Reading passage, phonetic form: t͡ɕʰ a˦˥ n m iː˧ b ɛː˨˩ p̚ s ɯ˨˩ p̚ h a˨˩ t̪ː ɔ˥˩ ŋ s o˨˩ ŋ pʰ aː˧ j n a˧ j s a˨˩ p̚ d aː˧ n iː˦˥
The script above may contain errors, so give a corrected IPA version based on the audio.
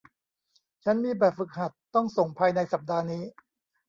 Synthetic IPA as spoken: t͡ɕʰ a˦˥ n m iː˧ b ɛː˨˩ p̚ f ɯ˨˩ k̚ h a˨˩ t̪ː ɔ˥˩ ŋ s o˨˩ ŋ pʰ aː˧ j n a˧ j s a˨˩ p̚ d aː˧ n iː˦˥